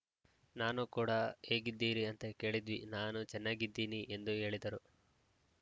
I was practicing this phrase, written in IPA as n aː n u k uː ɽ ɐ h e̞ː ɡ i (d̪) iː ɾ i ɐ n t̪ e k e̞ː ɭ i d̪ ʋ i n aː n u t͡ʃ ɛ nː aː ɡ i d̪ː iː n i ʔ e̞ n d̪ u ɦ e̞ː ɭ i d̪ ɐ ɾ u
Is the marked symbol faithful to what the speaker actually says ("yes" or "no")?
no